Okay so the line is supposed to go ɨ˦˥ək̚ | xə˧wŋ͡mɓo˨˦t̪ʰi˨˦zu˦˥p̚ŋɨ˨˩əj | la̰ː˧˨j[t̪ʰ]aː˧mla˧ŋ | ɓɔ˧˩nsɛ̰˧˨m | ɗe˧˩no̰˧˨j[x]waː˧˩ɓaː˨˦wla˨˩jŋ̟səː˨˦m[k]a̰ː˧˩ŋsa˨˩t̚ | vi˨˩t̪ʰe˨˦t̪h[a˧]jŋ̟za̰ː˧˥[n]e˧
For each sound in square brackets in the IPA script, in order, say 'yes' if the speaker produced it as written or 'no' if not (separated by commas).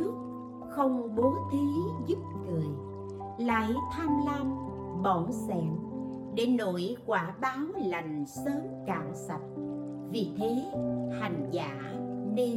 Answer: yes, no, yes, no, yes